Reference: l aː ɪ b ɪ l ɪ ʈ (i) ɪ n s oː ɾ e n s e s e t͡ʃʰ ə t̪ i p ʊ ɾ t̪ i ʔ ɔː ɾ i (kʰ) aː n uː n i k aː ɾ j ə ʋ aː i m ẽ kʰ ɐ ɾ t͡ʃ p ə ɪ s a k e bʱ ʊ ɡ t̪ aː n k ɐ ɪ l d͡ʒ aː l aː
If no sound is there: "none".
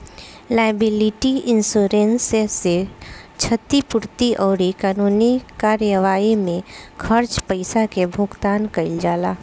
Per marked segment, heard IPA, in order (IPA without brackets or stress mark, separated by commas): i, k